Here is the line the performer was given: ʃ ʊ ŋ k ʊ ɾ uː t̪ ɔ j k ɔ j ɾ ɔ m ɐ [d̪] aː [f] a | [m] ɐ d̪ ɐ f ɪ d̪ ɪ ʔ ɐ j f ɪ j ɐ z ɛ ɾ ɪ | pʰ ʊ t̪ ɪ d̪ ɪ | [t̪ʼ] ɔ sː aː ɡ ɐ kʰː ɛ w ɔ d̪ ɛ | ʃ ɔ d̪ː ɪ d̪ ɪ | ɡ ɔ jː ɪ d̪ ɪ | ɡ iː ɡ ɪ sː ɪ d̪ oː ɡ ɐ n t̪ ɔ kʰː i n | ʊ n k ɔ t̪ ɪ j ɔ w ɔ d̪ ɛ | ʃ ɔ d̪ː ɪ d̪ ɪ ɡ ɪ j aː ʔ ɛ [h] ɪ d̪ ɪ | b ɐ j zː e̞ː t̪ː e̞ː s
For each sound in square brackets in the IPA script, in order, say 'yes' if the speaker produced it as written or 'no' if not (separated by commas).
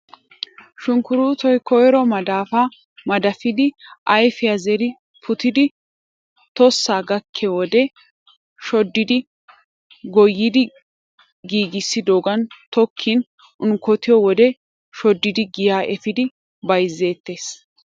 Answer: yes, yes, yes, no, no